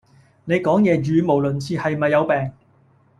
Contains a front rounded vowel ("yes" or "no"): yes